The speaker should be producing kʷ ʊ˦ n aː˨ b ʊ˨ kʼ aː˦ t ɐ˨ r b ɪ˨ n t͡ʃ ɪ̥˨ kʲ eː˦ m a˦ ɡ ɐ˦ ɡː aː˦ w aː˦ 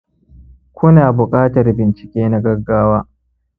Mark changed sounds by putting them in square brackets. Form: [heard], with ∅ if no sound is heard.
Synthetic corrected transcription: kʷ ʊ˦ n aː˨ b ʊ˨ kʼ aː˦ t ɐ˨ r b ɪ˨ n t͡ʃ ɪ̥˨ kʲ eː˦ [n] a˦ ɡ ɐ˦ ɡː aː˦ w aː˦